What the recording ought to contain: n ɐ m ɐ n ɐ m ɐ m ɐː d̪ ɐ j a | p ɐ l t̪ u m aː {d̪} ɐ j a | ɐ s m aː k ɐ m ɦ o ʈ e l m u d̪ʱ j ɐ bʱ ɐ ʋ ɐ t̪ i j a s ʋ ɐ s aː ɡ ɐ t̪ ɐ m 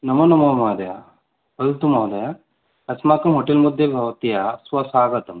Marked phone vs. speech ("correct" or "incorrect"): correct